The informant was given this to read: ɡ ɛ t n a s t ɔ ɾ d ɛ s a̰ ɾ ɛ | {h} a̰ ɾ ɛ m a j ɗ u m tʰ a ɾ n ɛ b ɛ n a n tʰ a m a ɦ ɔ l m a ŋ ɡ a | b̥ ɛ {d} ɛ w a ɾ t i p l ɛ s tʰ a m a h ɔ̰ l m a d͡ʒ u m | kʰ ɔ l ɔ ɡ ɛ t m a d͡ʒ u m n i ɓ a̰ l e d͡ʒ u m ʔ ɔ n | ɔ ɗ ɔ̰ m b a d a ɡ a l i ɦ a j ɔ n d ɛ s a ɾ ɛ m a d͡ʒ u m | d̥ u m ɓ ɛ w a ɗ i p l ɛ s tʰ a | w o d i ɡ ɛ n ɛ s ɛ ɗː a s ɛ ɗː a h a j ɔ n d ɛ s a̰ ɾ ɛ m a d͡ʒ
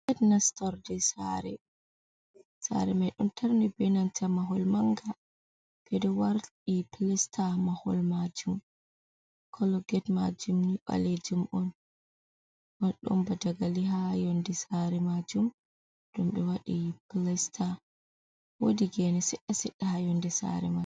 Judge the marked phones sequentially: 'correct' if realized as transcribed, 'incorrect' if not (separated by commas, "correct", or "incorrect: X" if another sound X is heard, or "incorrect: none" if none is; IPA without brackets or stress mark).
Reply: incorrect: s, correct